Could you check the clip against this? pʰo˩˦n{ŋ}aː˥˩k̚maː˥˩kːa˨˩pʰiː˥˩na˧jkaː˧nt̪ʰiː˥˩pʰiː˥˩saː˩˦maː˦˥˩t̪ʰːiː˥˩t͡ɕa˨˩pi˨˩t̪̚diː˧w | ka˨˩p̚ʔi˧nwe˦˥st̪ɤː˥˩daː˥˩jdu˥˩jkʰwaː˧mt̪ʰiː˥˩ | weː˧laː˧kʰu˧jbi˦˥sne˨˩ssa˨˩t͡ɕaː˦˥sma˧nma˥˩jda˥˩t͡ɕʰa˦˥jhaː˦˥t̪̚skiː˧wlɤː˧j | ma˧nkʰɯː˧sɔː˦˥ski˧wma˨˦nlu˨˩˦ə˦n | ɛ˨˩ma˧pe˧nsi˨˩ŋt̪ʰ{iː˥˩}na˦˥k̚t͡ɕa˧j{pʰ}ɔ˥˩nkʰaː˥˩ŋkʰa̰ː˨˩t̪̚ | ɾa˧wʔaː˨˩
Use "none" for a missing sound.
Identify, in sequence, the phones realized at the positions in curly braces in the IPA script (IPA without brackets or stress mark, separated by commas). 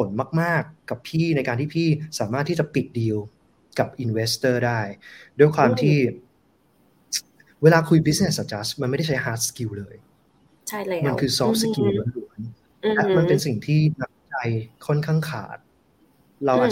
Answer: m, iː˥˩, kʰ